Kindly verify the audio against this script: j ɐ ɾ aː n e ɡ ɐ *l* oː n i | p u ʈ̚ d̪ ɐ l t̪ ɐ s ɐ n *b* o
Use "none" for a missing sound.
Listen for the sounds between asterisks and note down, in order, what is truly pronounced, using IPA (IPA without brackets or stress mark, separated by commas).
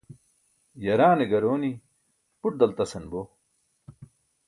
ɾ, b